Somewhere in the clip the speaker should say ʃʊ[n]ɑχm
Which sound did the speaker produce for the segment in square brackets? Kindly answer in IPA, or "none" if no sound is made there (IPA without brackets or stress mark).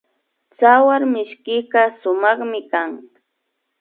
m